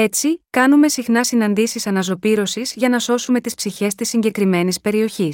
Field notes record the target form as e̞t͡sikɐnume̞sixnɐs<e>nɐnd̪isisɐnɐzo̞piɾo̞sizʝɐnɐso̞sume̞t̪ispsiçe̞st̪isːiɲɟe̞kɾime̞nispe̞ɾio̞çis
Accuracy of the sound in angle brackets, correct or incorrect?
incorrect